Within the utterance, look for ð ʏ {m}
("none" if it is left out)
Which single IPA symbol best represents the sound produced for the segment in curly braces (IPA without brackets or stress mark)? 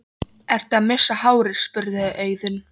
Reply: n